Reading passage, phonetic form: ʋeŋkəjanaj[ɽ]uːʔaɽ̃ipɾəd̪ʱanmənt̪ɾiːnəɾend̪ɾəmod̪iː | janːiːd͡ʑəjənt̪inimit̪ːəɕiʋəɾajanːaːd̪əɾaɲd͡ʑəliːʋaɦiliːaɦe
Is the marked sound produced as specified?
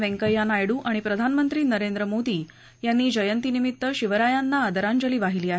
yes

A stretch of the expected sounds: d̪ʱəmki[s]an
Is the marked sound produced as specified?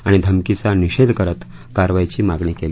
no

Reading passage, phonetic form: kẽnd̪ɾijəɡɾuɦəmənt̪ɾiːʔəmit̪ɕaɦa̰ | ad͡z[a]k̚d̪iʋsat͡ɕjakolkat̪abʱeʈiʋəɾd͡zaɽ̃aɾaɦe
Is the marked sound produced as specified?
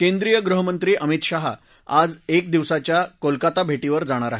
no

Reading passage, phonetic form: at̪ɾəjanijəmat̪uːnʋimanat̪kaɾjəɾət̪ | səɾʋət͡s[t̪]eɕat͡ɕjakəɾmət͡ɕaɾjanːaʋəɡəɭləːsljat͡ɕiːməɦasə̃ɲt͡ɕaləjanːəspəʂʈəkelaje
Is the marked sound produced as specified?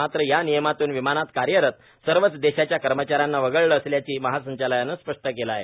no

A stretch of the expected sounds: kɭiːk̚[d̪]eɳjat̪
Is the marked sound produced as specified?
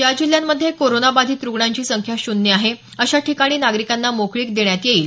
yes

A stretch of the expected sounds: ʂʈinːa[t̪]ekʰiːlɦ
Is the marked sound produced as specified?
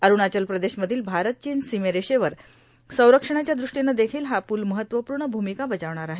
no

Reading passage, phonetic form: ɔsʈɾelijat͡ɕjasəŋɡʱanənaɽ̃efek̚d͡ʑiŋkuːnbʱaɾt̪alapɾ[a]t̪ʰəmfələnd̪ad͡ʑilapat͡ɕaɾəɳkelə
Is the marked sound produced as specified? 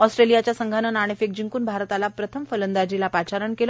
no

